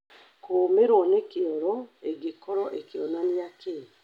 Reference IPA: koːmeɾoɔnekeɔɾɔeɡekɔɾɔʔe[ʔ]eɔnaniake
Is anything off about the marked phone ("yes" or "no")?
yes